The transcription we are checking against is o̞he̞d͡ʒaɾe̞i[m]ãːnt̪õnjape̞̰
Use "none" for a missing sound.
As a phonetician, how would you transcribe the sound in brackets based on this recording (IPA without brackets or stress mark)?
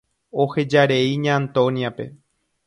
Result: ɲ